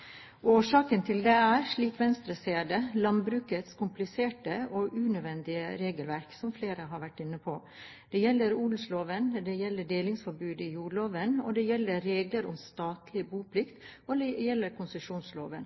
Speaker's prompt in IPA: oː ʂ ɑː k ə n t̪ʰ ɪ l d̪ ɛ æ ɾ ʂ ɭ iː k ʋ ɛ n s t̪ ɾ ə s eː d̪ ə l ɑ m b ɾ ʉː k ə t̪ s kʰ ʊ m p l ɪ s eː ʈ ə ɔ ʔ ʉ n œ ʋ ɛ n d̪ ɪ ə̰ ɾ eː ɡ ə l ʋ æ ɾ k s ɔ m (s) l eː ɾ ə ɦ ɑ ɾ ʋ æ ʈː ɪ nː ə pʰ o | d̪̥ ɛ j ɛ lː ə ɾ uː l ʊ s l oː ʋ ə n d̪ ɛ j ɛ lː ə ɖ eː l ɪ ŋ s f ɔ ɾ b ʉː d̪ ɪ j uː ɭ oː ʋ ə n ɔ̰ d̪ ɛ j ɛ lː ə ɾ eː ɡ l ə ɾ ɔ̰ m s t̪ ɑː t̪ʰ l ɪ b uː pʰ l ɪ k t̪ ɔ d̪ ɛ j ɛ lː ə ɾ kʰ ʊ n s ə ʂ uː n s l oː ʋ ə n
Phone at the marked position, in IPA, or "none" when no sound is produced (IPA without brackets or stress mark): f